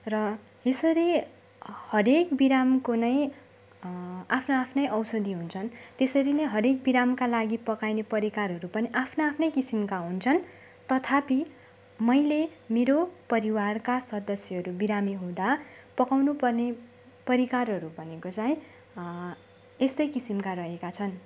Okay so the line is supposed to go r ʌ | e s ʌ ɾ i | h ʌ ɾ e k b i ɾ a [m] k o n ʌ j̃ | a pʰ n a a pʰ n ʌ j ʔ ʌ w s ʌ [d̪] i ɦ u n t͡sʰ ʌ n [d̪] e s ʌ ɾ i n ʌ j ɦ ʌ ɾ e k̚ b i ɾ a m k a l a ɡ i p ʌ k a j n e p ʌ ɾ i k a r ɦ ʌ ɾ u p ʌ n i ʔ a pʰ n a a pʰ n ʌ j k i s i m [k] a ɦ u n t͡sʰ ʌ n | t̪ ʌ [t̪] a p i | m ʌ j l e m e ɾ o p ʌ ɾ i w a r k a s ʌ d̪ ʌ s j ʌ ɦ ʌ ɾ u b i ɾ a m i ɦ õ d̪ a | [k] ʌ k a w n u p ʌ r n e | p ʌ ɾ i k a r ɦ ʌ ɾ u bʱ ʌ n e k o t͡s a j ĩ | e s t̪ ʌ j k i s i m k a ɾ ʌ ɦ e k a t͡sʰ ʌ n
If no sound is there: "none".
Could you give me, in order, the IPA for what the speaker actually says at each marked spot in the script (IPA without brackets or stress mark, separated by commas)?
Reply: m, d̪, t̪, k, t̪ʰ, p